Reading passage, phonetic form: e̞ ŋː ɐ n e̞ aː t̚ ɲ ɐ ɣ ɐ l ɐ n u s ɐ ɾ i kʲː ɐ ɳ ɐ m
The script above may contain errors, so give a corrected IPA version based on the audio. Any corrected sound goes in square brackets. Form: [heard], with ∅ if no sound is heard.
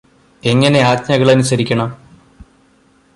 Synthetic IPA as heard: e̞ ŋː ɐ n e̞ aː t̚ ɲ ɐ ɣ ɐ [ɭ] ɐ n u s ɐ ɾ i kʲː ɐ ɳ ɐ m